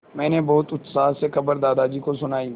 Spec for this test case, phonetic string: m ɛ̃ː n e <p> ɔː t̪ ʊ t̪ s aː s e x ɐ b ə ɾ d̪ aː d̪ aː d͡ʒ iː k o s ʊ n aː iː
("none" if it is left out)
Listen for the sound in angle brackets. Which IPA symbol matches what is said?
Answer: b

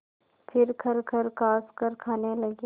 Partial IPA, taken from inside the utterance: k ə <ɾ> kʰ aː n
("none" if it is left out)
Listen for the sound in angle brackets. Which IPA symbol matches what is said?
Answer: ɾ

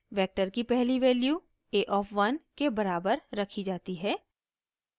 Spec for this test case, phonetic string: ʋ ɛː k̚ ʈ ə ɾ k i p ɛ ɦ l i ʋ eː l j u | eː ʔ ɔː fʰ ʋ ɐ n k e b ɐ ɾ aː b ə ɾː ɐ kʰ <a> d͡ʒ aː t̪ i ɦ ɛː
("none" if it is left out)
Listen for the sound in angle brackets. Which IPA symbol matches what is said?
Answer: i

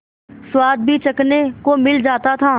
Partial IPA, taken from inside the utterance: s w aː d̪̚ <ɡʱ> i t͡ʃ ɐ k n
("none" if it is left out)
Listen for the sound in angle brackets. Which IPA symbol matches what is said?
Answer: bʱ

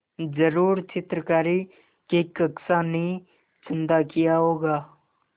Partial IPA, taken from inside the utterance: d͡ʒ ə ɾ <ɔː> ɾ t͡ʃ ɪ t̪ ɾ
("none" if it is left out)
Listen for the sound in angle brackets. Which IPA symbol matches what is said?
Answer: uː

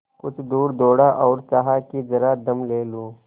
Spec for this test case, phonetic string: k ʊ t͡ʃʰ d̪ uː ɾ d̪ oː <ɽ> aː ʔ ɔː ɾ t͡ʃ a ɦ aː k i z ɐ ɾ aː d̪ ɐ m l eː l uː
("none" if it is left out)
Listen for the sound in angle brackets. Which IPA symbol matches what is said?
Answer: ɽ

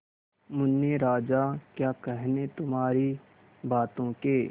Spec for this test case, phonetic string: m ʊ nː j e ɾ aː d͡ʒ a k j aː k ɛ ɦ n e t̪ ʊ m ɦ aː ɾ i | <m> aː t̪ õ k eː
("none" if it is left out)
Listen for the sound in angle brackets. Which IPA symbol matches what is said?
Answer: b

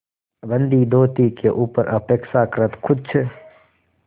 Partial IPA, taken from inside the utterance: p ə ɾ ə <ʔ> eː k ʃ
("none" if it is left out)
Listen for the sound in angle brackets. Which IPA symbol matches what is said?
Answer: p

